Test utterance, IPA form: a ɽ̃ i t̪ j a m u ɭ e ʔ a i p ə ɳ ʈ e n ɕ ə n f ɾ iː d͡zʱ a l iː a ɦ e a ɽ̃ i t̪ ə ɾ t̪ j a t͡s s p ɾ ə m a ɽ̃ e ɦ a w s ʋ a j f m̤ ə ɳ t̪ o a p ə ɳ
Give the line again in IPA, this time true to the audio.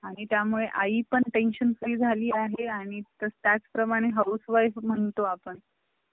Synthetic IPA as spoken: a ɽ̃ i t̪ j a m u ɭ e ʔ a i p ə ɳ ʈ e n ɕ ə n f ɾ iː d͡zʱ a l iː a ɦ e a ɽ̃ i t̪ ə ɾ t̪ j a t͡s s p ɾ ə m a ɽ̃ e ɦ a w s ʋ a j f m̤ ə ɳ t̪ o a p ə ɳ